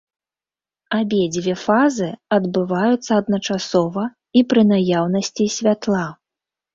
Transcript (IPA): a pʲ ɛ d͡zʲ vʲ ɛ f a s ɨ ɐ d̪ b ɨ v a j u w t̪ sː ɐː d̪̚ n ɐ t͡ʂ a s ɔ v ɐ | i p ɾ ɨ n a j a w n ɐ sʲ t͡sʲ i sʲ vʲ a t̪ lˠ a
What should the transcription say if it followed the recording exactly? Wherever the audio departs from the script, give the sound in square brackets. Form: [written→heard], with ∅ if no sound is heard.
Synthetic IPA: a [pʲ→bʲ] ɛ d͡zʲ vʲ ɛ f a [s→z] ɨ ɐ d̪ b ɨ v a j u [w→∅] t̪ sː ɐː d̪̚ n ɐ t͡ʂ a s ɔ v ɐ | i p ɾ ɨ n a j a w n ɐ sʲ t͡sʲ i sʲ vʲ a t̪ lˠ a